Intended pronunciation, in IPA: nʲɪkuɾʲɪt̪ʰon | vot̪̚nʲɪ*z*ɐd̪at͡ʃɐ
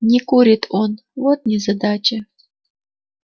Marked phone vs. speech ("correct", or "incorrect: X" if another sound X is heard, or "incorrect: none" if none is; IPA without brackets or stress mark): correct